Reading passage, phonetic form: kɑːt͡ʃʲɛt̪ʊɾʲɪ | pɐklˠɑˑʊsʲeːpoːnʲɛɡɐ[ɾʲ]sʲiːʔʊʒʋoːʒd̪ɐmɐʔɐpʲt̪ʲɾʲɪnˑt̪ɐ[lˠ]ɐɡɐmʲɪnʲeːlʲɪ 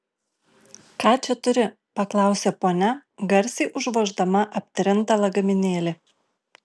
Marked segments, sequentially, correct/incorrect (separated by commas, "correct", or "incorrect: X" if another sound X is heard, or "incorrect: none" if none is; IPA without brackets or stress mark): correct, correct